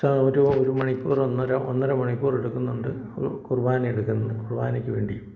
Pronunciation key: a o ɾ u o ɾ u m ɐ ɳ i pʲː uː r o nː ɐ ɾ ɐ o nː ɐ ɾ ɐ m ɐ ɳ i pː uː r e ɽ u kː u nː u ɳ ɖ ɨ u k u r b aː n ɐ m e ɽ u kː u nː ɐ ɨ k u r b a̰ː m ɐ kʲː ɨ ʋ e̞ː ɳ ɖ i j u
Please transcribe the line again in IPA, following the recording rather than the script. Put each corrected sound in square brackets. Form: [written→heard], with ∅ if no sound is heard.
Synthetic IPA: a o ɾ u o ɾ u m ɐ ɳ i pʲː uː r o nː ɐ ɾ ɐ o nː ɐ ɾ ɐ m ɐ ɳ i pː uː r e ɽ u kː u nː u ɳ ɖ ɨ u k u r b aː n ɐ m e ɽ u kː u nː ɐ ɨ k u r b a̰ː [m→n] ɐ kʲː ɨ ʋ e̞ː ɳ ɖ i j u